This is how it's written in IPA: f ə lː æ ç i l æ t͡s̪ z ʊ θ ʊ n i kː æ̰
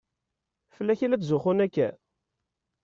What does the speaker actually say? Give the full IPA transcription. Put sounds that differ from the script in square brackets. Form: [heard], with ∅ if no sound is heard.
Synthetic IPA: f ə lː æ ç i l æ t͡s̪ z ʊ [χ] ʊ n [æ] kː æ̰